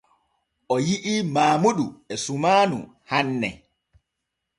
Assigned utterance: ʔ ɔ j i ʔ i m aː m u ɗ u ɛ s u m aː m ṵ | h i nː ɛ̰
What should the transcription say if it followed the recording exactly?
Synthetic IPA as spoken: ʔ ɔ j i ʔ i m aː m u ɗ u ɛ s u m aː n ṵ | h a nː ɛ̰